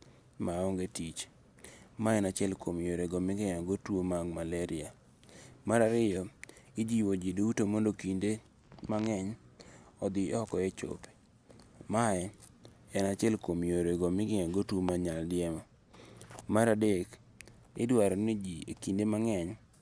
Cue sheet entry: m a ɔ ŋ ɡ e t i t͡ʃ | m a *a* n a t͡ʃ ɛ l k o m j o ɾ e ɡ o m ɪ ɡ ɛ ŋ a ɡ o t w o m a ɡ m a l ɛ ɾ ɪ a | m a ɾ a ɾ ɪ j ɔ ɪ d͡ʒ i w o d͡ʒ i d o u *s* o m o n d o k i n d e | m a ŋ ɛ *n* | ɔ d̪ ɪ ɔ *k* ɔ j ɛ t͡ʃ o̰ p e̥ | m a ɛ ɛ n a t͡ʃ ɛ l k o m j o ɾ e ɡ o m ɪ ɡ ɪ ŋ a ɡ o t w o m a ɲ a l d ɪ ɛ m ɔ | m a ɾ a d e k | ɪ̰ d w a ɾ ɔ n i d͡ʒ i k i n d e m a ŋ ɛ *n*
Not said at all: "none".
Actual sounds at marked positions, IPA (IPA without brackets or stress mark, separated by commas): ɛ, t, ɲ, k, ɲ